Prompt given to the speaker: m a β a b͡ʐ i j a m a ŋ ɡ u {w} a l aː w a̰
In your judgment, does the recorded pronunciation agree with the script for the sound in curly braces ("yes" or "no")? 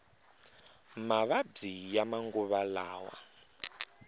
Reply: no